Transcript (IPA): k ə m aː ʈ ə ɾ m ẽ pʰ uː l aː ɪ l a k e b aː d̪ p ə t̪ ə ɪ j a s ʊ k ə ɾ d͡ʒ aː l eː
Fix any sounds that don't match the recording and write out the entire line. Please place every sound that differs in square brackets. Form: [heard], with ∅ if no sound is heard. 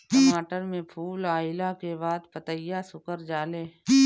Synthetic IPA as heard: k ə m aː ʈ ə ɾ m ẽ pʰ uː l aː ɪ l a k e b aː d̪ p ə t̪ ə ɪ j a s ʊ k ə ɾ d͡ʒ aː l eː